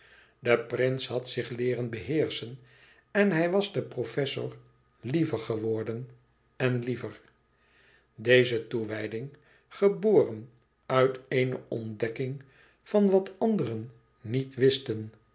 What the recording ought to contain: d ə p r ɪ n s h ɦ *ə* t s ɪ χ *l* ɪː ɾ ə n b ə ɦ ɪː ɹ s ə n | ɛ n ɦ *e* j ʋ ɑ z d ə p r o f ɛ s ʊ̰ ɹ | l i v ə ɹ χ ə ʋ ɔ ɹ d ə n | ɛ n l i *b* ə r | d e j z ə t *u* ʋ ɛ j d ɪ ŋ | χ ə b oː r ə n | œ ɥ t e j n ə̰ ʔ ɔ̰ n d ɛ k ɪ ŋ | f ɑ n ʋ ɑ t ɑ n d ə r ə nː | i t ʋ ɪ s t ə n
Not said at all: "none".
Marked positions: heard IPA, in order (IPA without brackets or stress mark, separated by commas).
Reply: ɑ, l, ɛ, v, u